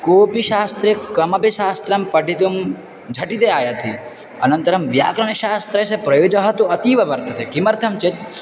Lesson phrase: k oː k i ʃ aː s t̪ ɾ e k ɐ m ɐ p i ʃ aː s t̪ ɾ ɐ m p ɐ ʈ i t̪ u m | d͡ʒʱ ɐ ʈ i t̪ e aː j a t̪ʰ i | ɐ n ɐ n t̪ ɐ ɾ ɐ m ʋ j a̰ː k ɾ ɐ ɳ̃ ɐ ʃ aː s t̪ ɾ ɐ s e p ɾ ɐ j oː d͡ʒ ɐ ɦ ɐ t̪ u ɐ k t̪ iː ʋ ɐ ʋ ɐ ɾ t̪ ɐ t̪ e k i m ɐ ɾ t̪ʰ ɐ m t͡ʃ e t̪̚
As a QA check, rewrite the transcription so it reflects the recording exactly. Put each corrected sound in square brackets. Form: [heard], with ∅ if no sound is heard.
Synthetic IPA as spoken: k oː [p] i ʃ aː s t̪ ɾ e k ɐ m ɐ p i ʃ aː s t̪ ɾ ɐ m p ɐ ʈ i t̪ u m | d͡ʒʱ ɐ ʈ i t̪ e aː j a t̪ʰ i | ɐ n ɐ n t̪ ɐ ɾ ɐ m ʋ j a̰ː k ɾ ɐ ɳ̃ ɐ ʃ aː s t̪ ɾ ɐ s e p ɾ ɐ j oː d͡ʒ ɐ ɦ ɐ t̪ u ɐ [∅] t̪ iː ʋ ɐ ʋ ɐ ɾ t̪ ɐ t̪ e k i m ɐ ɾ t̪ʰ ɐ m t͡ʃ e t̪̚